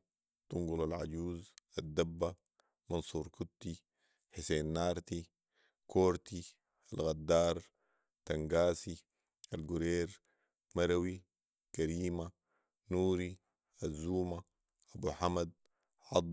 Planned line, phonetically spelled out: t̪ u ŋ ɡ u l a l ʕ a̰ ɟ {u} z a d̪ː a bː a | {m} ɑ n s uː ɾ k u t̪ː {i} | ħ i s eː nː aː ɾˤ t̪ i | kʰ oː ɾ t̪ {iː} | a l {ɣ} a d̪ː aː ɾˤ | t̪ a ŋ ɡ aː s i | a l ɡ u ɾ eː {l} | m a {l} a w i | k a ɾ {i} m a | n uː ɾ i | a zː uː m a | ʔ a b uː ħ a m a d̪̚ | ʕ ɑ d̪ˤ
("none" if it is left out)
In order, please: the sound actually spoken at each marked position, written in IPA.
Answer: uː, m, i, i, ɣ, ɾ, ɾ, iː

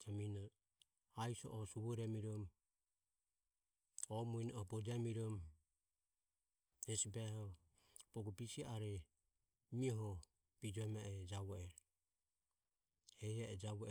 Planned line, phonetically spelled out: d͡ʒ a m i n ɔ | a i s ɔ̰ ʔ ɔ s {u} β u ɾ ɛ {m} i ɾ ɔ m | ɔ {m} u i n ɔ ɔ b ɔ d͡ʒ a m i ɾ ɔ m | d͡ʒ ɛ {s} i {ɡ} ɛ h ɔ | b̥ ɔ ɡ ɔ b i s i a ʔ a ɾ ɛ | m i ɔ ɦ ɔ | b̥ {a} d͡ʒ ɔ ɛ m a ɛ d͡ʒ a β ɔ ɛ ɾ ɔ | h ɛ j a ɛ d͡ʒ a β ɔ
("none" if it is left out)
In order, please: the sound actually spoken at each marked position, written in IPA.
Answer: u, m, m, s, b, i

